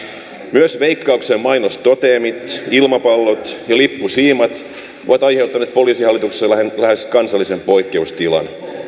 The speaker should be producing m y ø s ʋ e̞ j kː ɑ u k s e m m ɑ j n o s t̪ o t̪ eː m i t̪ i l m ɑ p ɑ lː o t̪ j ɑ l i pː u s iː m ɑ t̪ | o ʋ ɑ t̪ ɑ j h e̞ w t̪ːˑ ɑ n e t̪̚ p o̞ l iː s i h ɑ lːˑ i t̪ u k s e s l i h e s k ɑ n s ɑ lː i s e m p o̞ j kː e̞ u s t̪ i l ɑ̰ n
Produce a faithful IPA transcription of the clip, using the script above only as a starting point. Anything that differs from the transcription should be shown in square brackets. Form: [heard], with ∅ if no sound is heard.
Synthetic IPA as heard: m y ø s ʋ e̞ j kː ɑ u k s e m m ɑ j n o s t̪ o t̪ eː m i t̪ i l m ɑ p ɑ lː o t̪ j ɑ l i pː u s iː m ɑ t̪ | o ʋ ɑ t̪ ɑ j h e̞ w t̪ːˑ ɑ n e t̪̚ p o̞ l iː s i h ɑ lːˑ i t̪ u k s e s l [æ] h e s k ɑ n s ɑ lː i s e m p o̞ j kː e̞ u s t̪ i l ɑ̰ n